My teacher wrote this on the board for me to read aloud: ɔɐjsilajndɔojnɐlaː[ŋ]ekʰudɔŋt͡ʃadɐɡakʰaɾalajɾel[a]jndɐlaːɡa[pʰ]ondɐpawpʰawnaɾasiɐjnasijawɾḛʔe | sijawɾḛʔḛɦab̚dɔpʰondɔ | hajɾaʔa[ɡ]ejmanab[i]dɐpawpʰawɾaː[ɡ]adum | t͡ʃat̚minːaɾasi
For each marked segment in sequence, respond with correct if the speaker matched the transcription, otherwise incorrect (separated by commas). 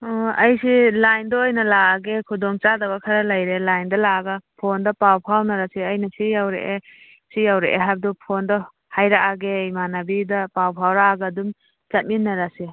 incorrect, correct, correct, correct, correct, correct